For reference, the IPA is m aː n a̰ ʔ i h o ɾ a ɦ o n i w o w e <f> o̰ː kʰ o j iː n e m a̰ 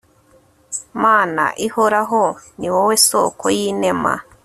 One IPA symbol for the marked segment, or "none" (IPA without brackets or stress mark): s